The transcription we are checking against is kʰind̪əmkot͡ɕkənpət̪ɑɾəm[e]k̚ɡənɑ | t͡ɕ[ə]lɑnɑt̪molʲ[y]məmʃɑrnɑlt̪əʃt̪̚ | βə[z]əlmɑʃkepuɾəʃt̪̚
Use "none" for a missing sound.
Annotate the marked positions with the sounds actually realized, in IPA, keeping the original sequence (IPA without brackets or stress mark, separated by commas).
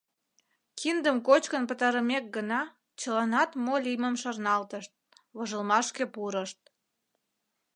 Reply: e, ə, i, ʒ